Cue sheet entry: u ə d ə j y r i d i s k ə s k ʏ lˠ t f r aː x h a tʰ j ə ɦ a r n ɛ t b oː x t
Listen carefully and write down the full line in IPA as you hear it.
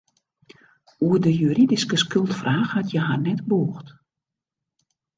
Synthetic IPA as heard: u ə d ə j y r i d i s k ə s k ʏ lˠ t f r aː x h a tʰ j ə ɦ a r n ɛ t b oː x t